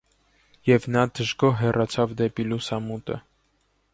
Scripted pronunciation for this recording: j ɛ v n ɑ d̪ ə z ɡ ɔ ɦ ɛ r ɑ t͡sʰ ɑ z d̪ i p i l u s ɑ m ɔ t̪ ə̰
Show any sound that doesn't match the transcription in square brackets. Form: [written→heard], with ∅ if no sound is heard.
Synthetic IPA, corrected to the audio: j ɛ v n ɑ d̪ ə [z→ʒ] ɡ ɔ ɦ ɛ r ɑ t͡sʰ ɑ [z→v] d̪ [i→ɛ] p i l u s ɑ m [ɔ→u] t̪ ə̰